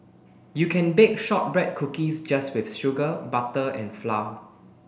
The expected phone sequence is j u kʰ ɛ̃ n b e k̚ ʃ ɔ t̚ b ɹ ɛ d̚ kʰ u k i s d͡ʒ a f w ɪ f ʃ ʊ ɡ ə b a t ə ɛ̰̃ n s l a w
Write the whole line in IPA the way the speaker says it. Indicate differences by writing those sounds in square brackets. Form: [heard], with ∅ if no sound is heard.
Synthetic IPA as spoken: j u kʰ ɛ̃ n b e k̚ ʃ ɔ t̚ b ɹ ɛ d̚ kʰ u k i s d͡ʒ a [s] w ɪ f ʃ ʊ ɡ ə b a t ə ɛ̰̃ n [f] l a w